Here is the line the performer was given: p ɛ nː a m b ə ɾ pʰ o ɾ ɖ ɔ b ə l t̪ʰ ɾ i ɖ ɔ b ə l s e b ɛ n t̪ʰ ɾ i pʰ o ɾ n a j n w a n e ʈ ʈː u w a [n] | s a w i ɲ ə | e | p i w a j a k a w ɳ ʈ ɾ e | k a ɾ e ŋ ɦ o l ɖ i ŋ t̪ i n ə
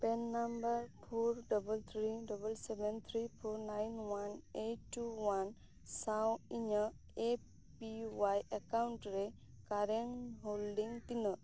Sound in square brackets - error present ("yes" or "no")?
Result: no